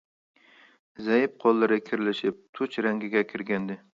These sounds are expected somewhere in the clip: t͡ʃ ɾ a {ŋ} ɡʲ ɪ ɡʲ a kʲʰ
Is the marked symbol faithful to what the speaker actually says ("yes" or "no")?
yes